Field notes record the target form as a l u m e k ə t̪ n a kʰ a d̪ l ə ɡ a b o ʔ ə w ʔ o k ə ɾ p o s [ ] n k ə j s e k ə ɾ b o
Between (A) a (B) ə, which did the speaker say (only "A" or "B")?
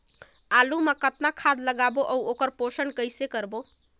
B